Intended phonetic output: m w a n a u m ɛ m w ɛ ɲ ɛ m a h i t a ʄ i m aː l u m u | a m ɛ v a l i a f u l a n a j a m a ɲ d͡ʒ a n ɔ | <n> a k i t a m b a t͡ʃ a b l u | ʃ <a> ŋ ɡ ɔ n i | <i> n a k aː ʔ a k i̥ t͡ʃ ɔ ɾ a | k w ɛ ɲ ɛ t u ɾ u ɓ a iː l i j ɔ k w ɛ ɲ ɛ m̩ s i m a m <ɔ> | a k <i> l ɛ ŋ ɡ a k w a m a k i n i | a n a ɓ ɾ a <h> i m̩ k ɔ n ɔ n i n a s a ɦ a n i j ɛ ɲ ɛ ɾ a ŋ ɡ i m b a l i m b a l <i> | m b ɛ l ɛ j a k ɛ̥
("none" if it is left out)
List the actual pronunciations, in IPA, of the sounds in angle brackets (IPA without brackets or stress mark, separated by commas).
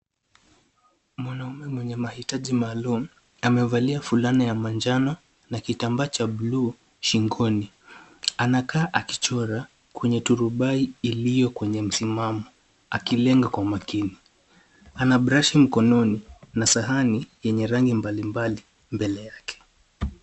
n, i, a, ɔ, i, ʃ, i